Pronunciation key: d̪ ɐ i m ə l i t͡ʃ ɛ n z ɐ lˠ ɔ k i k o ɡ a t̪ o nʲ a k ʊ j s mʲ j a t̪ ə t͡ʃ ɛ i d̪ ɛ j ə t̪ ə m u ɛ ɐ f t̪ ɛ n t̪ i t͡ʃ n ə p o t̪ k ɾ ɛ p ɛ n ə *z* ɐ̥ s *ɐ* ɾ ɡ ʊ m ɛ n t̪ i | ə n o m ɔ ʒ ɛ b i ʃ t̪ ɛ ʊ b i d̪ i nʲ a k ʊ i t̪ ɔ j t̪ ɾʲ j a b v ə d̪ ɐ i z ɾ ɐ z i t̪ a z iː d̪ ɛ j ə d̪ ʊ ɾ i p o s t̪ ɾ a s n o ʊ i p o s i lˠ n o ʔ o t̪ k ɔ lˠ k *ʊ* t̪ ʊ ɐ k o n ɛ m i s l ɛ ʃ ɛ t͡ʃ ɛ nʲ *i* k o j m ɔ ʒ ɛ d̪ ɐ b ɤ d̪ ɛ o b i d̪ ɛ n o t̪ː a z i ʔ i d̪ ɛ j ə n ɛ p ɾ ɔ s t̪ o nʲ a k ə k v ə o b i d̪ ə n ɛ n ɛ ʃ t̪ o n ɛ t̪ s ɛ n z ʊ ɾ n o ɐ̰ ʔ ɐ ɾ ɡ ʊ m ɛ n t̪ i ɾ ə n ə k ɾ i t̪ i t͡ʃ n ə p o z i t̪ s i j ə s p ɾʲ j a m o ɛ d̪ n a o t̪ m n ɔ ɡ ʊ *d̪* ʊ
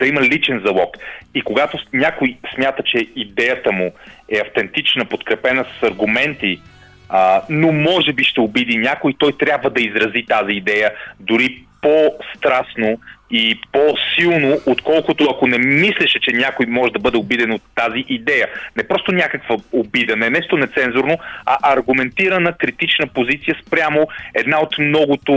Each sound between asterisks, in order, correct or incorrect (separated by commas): incorrect, correct, correct, incorrect, incorrect